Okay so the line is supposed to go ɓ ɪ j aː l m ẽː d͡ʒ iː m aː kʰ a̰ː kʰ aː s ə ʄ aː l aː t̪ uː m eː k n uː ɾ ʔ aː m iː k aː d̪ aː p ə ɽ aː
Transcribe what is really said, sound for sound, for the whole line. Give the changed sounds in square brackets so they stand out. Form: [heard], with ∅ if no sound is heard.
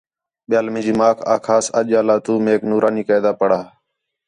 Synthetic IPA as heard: ɓ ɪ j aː l m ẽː d͡ʒ iː m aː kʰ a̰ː kʰ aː s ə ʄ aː l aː t̪ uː m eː k n uː ɾ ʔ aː [n] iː k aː d̪ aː p ə ɽ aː